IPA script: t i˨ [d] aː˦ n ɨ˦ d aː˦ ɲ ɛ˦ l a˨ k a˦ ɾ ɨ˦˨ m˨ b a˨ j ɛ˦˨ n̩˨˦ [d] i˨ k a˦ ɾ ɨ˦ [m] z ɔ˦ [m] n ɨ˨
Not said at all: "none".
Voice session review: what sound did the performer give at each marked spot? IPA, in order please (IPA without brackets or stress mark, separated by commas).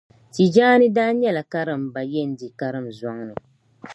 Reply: d͡ʒ, d, m, ŋ